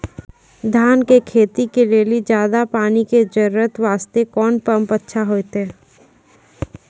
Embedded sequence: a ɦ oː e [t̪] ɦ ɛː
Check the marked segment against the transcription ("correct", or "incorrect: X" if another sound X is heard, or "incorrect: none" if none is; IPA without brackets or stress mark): correct